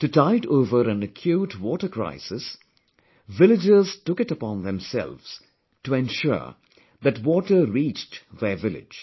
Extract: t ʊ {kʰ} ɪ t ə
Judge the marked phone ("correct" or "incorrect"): incorrect